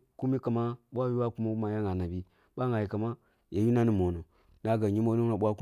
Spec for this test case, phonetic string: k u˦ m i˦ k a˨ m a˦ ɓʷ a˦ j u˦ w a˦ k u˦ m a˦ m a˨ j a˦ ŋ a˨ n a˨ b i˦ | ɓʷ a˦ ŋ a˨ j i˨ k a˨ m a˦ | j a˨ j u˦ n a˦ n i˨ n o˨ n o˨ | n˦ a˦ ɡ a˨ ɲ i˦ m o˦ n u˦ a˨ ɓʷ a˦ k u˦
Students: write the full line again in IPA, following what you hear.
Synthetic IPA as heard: k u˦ m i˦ k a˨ m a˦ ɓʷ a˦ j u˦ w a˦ k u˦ m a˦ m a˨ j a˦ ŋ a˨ n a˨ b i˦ | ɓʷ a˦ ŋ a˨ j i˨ k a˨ m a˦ | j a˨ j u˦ n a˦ n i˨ m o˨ n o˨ | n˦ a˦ ɡ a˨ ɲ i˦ m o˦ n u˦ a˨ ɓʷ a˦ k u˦